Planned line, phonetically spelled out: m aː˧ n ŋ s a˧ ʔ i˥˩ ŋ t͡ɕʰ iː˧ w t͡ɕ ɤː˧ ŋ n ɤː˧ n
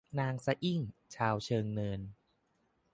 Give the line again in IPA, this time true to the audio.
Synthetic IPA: n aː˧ ŋ s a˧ ʔ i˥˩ ŋ t͡ɕʰ aː˧ w t͡ɕʰ ɤː˧ ŋ n ɤː˧ n